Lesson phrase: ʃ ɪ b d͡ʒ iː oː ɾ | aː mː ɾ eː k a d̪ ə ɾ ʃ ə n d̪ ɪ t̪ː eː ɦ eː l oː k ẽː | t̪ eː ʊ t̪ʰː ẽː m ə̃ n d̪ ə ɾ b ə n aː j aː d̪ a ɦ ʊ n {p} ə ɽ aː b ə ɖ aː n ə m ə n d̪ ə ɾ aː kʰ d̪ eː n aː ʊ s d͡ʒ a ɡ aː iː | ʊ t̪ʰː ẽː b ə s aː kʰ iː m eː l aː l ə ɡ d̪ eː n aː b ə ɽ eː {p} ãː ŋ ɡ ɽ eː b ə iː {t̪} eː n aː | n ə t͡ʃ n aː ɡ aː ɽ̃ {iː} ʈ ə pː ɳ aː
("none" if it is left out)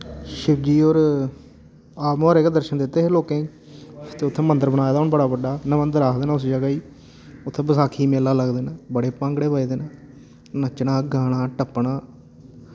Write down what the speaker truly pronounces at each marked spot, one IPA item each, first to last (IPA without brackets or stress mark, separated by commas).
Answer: b, p, d̪, aː